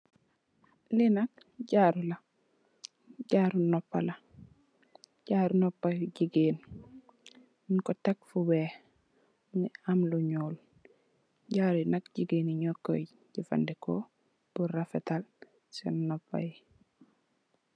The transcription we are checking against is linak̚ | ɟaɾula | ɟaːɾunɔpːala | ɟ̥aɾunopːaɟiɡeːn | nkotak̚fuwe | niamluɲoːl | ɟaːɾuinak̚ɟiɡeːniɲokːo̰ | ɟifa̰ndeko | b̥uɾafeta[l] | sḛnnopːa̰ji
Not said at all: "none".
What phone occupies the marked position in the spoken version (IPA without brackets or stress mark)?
l